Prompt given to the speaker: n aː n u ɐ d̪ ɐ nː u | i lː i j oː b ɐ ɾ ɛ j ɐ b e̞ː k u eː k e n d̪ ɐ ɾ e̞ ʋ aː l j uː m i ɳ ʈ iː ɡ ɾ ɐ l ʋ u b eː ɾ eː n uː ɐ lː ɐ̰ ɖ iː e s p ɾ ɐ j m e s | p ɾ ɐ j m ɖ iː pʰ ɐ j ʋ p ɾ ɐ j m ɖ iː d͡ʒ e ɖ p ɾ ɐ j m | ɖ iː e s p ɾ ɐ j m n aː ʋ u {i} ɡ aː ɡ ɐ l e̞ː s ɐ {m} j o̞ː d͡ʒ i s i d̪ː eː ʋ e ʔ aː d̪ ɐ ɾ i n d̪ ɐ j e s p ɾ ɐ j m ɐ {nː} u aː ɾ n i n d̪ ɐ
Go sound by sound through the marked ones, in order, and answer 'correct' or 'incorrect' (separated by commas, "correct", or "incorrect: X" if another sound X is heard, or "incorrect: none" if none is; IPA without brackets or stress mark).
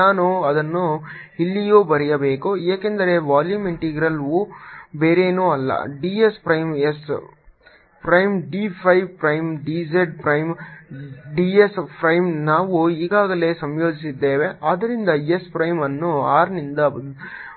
incorrect: iː, correct, correct